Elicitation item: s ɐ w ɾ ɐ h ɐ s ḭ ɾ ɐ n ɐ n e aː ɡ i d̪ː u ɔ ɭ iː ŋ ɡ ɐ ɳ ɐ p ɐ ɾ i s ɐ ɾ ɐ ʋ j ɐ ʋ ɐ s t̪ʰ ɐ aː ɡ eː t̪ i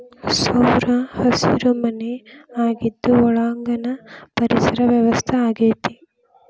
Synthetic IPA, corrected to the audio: s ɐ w ɾ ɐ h ɐ s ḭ ɾ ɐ m ɐ n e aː ɡ i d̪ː u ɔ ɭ aː ŋ ɡ ɐ n ɐ p ɐ ɾ i s ɐ ɾ ɐ ʋ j ɐ ʋ ɐ s t̪ʰ ɐ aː ɡ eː t̪ i